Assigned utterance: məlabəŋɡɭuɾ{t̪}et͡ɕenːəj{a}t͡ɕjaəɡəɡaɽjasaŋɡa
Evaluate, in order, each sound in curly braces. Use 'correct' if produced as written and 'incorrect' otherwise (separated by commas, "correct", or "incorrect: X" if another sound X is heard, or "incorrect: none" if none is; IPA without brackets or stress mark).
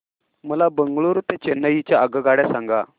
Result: correct, incorrect: i